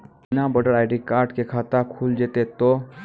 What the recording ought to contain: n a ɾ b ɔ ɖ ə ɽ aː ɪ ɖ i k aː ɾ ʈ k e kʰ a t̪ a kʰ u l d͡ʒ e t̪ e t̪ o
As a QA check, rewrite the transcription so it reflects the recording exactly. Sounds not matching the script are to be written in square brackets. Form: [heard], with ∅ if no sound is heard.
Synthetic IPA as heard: n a [∅] b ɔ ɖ ə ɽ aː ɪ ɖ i k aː ɾ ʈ k e kʰ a t̪ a kʰ u l d͡ʒ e t̪ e t̪ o